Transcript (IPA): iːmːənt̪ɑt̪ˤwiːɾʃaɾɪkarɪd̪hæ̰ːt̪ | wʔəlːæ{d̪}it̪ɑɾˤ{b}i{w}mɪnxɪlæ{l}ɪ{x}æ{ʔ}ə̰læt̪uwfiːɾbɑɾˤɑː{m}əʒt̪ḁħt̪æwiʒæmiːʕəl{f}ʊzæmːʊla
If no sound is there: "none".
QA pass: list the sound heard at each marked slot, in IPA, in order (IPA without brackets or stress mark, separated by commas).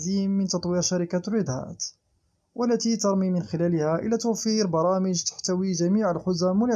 t̪, m, none, l, h, ʔ, m, ħ